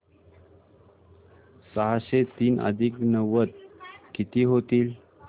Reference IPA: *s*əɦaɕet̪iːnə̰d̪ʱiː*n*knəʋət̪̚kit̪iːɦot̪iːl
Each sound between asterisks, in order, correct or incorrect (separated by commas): correct, incorrect